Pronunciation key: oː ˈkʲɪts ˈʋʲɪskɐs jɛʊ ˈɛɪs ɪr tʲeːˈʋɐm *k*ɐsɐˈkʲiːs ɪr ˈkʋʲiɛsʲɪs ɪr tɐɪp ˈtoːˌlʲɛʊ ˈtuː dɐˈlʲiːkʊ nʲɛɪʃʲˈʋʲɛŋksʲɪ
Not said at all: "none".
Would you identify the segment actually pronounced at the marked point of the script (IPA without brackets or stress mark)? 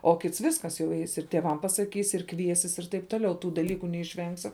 p